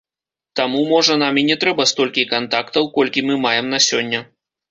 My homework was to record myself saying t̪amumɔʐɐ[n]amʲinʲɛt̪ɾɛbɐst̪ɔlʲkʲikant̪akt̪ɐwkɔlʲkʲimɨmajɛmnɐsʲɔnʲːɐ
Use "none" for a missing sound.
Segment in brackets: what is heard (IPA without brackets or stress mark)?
n